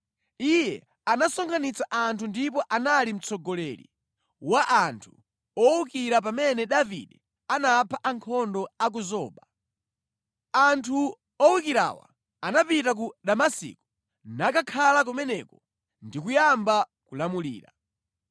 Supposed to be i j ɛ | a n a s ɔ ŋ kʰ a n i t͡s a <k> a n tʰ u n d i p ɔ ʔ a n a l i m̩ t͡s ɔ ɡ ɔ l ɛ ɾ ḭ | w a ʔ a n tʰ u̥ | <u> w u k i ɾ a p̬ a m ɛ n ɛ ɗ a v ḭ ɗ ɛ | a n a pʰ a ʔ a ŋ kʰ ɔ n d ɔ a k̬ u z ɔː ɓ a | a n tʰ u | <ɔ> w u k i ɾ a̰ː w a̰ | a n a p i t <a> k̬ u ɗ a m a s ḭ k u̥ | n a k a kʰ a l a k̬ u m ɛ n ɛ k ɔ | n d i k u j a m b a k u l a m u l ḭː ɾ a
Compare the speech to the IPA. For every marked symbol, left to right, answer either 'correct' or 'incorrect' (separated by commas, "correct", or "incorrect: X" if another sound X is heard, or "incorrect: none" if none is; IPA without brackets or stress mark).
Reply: incorrect: ʔ, incorrect: ɔ, correct, correct